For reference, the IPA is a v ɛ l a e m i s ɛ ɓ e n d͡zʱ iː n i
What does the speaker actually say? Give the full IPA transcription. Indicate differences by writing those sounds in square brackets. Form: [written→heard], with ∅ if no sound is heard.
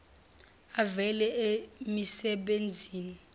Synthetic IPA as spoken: a v ɛ l [a→ɛ] e m i s ɛ ɓ e n d͡zʱ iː n i

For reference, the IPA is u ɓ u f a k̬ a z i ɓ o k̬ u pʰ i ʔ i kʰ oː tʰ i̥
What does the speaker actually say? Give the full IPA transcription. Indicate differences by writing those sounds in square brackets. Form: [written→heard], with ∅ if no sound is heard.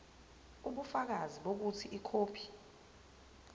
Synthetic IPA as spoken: u ɓ u f a k̬ a z i ɓ o k̬ u [pʰ→tʰ] i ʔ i kʰ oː [tʰ→pʰ] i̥

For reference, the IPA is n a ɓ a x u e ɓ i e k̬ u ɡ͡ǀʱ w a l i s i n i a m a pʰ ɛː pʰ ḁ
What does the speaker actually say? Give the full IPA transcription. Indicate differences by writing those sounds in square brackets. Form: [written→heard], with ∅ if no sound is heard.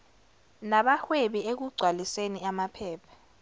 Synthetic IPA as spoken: n a ɓ a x [u→w] e ɓ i e k̬ u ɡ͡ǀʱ w a l i s [i→e] n i a m a pʰ ɛː pʰ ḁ

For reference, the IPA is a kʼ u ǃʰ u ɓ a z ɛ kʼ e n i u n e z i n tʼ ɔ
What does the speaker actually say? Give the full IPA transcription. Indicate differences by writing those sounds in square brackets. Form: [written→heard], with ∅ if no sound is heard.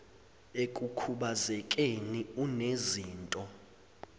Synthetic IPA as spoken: [a→e] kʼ u [ǃʰ→kʰ] u ɓ a z ɛ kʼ e n i u n e z [i→iː] n tʼ ɔ

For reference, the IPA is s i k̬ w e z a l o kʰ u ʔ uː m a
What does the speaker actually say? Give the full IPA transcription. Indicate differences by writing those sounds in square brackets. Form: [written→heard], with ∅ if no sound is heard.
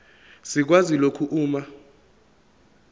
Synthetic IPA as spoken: s i k̬ w [e→a] z [a→i] l o kʰ u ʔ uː m a

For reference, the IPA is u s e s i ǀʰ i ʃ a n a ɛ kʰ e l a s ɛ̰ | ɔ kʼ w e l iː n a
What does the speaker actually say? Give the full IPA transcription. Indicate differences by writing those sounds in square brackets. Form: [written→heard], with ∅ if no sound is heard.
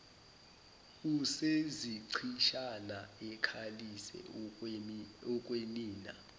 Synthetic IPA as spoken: u s e [s→z] i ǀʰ i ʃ a n a ɛ kʰ [e→a] l [a→i] s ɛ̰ | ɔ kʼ w e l iː n a

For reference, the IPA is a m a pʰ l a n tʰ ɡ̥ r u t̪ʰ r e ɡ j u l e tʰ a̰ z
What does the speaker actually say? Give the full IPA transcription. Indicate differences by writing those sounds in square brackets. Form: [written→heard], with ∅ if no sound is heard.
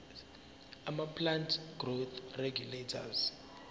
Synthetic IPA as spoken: a m a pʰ l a n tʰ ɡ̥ r [u→o] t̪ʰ r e ɡ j u l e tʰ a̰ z

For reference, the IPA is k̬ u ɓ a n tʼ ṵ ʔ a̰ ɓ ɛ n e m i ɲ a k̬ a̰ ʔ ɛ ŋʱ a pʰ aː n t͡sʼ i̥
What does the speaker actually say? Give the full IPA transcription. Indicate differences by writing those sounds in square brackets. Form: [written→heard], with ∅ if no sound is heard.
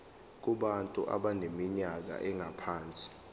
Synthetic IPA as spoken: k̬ u ɓ a n tʼ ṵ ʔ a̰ ɓ [ɛ→a] n e m i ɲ a k̬ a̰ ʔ ɛ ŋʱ a pʰ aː n t͡sʼ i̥

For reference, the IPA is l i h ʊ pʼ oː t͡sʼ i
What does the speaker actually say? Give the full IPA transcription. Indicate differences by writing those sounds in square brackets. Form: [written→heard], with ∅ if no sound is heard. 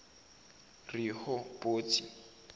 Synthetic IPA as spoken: [l→r] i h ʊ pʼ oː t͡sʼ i

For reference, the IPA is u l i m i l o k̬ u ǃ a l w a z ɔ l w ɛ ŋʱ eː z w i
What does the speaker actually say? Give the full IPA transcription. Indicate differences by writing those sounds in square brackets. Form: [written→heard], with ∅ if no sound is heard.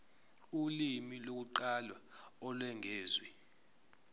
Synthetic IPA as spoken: u l i m i l o k̬ u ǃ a l w a [z→∅] ɔ l w ɛ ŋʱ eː z w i

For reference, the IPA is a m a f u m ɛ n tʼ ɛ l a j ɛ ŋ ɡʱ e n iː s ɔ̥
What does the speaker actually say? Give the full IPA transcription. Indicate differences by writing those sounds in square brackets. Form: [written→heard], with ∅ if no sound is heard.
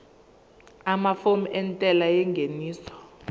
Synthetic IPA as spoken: a m a f [u→o] m ɛ n tʼ ɛ l a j ɛ ŋ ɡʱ e n iː s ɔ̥

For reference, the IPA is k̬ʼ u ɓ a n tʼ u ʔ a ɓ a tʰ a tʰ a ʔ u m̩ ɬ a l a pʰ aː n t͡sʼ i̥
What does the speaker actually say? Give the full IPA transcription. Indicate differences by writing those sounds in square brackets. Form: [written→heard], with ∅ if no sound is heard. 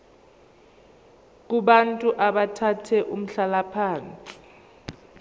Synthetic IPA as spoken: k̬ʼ u ɓ a n tʼ u ʔ a ɓ a tʰ a tʰ [a→ɛ] ʔ u m̩ ɬ a l a pʰ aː n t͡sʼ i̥

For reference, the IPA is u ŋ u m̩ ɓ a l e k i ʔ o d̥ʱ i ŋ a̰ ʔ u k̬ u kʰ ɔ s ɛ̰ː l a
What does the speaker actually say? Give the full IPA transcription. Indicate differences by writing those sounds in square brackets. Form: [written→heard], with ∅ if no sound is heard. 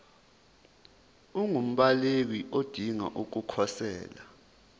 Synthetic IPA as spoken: u ŋ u m̩ ɓ a l e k i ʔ o d̥ʱ i ŋ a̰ ʔ u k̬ u kʰ ɔ s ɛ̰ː l a

